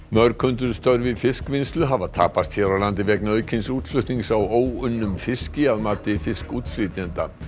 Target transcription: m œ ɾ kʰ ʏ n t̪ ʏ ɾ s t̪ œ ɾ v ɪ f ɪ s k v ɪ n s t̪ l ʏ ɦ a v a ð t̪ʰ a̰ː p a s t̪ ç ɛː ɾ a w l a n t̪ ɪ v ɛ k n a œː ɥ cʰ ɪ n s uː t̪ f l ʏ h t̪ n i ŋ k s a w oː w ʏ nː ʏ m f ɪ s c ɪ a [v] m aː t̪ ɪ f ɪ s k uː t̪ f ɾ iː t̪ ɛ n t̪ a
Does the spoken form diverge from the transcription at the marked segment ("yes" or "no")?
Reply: yes